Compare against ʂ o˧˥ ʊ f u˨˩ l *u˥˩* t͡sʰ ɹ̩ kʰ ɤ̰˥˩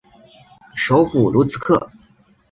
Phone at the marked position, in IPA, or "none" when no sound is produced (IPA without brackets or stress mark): u˧˥